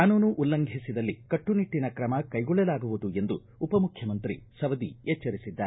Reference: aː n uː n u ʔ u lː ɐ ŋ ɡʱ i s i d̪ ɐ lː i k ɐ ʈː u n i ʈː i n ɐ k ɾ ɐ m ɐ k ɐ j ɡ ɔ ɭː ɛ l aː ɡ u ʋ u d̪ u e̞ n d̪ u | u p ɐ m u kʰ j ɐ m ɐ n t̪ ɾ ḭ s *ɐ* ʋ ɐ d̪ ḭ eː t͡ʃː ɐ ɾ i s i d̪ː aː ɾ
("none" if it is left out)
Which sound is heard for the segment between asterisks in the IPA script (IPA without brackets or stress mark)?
ɐ